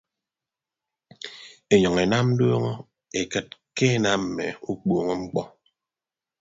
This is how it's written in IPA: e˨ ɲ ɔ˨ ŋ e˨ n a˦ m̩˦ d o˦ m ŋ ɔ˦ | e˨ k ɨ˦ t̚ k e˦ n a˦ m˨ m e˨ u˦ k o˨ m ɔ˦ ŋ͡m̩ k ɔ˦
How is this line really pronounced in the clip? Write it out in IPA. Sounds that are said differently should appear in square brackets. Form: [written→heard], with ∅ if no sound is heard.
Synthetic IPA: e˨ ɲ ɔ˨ ŋ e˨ n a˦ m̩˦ d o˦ [m→∅] ŋ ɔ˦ | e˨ k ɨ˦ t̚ k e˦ n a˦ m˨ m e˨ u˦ [k→k͡p] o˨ [m→ŋ] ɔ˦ ŋ͡m̩ [k→k͡p] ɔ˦